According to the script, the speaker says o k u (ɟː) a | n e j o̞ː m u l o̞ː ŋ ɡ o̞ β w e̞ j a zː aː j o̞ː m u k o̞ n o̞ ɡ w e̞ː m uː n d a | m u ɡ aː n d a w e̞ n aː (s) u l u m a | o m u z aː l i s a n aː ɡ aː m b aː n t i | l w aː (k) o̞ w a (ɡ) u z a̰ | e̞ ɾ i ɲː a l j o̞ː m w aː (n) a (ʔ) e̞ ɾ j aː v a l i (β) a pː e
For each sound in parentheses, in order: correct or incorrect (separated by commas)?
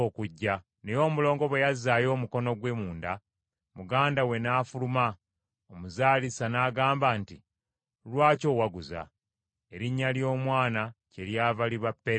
correct, incorrect, incorrect, correct, correct, incorrect, correct